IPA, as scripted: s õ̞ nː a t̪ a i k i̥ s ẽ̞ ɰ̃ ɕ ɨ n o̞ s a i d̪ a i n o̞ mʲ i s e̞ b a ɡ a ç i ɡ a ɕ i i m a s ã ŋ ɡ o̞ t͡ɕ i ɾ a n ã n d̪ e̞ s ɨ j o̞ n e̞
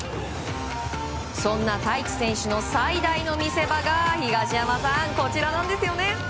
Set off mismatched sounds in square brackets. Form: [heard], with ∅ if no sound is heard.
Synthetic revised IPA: s õ̞ nː a t̪ a i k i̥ s ẽ̞ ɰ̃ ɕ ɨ n o̞ s a i d̪ a i n o̞ mʲ i s e̞ b a ɡ a ç i ɡ a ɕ i [a] m a s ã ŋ [k] o̞ t͡ɕ i ɾ a n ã n d̪ e̞ s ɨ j o̞ n e̞